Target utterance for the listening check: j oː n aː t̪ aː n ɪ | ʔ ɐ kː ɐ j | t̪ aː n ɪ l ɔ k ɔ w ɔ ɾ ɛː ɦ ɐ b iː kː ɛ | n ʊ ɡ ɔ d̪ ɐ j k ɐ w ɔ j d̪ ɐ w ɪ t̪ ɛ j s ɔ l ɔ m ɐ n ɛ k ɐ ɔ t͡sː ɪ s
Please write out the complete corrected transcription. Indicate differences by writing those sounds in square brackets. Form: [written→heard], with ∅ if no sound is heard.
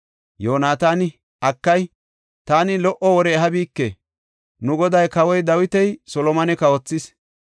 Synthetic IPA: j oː n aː t̪ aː n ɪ | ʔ ɐ kː ɐ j | t̪ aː n ɪ l ɔ [k→ʔ] ɔ w ɔ ɾ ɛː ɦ ɐ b iː kː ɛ | n ʊ ɡ ɔ d̪ ɐ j k ɐ w ɔ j d̪ ɐ w ɪ t̪ ɛ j s ɔ l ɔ m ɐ n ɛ k ɐ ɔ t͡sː ɪ s